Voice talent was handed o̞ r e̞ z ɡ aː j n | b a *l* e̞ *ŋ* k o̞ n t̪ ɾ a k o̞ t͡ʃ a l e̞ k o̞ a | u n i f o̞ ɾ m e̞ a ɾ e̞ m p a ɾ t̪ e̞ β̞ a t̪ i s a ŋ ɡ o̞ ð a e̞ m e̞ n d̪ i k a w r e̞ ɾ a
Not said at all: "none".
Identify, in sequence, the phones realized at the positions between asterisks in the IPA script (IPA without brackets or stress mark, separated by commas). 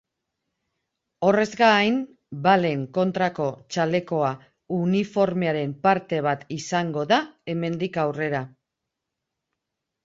l, ŋ